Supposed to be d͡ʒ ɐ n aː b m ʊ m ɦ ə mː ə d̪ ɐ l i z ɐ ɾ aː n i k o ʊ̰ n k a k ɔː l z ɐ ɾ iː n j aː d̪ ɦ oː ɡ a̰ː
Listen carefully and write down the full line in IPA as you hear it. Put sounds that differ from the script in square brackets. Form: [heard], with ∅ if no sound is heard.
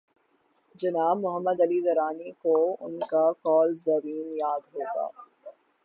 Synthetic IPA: d͡ʒ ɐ n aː b m ʊ [∅] ɦ ə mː ə d̪ ɐ l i z ɐ ɾ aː n i k o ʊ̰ n k a k ɔː l z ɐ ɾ iː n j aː d̪ ɦ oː ɡ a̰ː

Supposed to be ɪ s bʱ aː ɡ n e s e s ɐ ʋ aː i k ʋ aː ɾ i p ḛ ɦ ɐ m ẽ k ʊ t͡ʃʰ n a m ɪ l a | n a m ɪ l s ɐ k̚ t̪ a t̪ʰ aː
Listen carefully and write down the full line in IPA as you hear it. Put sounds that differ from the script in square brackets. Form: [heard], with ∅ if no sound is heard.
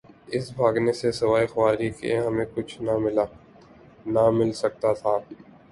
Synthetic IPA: ɪ s bʱ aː ɡ n e s e s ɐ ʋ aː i [x] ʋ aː ɾ i [k] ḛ ɦ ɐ m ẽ k ʊ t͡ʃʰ n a m ɪ l a | n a m ɪ l s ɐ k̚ t̪ a t̪ʰ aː

